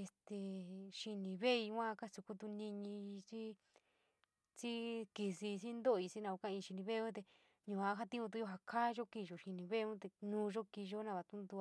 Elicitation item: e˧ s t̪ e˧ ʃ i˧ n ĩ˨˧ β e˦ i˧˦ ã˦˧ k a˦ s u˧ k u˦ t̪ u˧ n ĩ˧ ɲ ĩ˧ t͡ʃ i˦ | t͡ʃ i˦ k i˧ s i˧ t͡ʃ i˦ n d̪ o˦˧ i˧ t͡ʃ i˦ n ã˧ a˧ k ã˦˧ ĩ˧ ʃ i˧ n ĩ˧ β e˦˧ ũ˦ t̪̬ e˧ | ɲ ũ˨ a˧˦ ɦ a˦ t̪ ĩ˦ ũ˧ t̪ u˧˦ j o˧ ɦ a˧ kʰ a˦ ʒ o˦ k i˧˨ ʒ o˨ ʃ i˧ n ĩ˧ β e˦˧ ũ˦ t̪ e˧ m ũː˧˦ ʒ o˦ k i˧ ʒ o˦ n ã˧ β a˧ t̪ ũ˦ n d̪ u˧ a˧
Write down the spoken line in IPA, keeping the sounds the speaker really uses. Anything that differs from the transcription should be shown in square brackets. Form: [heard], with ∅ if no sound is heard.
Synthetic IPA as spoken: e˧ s t̪ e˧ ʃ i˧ n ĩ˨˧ β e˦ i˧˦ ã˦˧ k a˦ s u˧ k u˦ t̪ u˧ n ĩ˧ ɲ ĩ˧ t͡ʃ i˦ | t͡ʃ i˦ k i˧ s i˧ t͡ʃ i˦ n d̪ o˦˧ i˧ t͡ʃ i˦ n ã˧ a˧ k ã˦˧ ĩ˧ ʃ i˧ n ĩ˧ β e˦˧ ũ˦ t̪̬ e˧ | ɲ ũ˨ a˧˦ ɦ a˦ t̪ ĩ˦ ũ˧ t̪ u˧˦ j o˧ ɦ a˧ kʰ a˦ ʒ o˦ k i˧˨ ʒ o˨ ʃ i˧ n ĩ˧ β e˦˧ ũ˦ t̪ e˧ [n] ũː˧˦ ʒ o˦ k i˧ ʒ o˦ n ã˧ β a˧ t̪ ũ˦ n d̪ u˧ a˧